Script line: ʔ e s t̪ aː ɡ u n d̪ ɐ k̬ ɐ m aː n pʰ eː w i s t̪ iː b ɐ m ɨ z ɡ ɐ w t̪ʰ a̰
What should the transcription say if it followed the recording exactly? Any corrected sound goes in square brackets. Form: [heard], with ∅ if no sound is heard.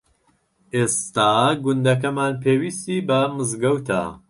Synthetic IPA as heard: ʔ e s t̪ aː ɡ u n d̪ ɐ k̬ ɐ m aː n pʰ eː w i s t̪ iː b ɐ m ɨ z ɡ ɐ w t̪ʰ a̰